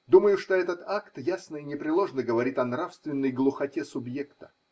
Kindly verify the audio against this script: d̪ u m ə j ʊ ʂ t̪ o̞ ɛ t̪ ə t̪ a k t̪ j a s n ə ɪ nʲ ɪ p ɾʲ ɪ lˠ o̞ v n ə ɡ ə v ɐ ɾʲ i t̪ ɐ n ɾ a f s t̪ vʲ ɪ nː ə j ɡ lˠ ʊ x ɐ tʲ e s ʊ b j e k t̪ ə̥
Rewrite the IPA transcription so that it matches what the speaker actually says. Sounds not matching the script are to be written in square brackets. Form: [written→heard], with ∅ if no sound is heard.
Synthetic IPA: d̪ u m ə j ʊ ʂ t̪ o̞ ɛ t̪ ə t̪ a k t̪ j a s n ə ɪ nʲ ɪ p ɾʲ ɪ lˠ o̞ [v→ʐ] n ə ɡ ə v ɐ ɾʲ i t̪ ɐ n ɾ a f s t̪ vʲ ɪ nː ə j ɡ lˠ ʊ x ɐ tʲ e s ʊ b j e k t̪ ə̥